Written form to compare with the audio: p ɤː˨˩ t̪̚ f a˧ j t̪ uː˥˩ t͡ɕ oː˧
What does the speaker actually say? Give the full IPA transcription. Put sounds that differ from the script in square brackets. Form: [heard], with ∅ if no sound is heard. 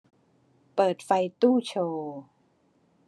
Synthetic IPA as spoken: p ɤː˨˩ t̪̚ f a˧ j t̪ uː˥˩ [t͡ɕʰ] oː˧